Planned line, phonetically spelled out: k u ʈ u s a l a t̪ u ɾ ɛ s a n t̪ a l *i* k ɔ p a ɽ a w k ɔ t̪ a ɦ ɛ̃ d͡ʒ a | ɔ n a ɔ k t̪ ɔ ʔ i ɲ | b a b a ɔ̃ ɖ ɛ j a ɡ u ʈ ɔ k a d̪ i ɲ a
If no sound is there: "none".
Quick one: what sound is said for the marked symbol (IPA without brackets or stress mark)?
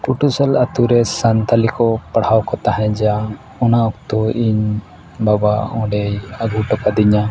i